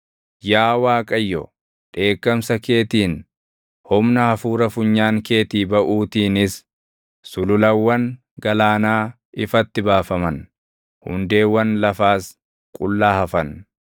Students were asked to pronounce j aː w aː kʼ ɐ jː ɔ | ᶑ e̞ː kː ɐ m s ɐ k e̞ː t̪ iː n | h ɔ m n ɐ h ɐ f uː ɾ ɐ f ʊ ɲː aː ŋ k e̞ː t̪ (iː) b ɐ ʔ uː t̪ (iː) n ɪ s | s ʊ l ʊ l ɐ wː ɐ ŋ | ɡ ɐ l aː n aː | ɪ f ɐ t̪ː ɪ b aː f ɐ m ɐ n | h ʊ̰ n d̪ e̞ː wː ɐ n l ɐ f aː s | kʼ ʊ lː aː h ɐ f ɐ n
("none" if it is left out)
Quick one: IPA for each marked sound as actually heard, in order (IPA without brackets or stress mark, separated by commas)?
iː, iː